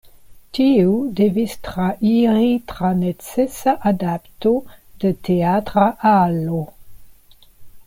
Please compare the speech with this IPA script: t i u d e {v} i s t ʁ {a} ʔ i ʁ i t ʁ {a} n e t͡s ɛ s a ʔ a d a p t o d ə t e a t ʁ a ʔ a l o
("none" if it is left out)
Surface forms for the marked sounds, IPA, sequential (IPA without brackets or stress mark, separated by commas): v, a, a